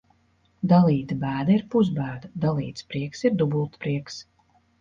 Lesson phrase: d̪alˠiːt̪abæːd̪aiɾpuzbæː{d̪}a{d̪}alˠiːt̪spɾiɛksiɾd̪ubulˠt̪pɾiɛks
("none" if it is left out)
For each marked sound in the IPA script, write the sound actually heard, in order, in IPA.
d̪, d̪

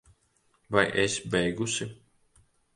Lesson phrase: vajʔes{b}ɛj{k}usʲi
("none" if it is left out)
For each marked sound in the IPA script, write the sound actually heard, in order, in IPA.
b, ɡ

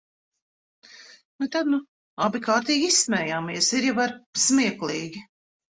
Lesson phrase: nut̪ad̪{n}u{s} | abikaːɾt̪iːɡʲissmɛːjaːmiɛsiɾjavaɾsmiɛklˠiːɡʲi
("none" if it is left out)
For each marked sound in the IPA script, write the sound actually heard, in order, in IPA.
n, none

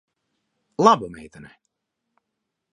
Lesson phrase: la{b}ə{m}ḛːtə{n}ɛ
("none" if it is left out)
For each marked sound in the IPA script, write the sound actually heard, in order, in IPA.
b, m, n

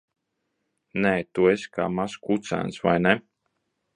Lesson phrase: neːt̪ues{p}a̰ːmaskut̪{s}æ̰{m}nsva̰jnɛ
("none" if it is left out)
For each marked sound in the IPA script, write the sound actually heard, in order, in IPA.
k, s, none

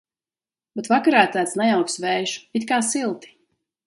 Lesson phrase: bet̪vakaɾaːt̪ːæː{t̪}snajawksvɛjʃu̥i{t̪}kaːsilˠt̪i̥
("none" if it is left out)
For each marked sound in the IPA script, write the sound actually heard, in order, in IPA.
t̪, t̪

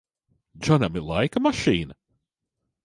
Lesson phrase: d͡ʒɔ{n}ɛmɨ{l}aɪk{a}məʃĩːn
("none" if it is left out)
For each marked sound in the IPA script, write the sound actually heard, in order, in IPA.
n, l, ə

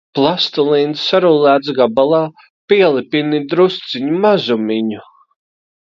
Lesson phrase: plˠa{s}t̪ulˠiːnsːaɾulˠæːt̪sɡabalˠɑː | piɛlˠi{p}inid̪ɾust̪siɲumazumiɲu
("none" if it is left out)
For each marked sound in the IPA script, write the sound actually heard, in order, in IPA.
s, p

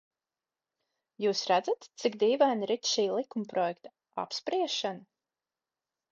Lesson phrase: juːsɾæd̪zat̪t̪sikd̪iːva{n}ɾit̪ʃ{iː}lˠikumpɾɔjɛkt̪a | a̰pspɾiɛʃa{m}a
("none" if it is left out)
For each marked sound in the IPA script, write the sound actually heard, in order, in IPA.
n, iː, n

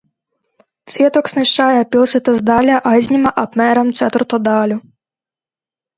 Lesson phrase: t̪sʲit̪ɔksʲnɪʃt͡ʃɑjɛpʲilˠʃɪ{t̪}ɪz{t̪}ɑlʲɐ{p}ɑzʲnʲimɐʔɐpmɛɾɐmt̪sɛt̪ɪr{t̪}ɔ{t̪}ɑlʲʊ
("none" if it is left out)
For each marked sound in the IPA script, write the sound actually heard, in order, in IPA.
t̪, d̪, ʔ, t̪, d̪

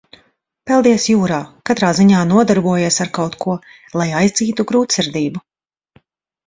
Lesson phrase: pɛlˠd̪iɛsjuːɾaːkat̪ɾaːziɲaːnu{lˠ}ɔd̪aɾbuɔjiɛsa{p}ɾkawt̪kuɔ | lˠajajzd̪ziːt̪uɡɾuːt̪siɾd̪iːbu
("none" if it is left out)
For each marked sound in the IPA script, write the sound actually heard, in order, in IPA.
none, none

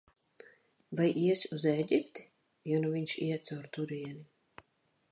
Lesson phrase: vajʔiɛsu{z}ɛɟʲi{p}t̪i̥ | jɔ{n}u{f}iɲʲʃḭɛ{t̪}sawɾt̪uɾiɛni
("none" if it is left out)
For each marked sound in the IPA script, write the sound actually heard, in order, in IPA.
z, p, n, v, t̪

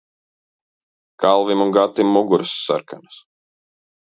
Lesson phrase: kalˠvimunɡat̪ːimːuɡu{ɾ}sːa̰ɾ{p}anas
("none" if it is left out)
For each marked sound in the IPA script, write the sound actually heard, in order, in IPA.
ɾ, k

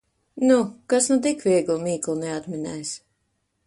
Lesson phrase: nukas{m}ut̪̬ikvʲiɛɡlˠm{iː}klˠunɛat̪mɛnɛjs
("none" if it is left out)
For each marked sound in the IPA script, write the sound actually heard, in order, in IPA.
n, iː

